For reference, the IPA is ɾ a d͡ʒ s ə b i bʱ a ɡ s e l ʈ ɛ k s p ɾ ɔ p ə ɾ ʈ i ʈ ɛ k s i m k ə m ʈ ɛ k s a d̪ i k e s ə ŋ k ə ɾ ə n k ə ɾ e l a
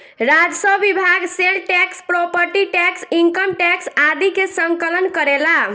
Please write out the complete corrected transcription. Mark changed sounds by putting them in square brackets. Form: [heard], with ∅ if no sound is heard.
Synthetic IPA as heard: ɾ a d͡ʒ s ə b i bʱ a ɡ s e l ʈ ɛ k s p ɾ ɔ p ə ɾ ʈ i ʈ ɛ k s i [ŋ] k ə m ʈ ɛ k s a d̪ i k e s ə ŋ k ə [l] ə n k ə ɾ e l a